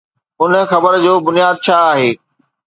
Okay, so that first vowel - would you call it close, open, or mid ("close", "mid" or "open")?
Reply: close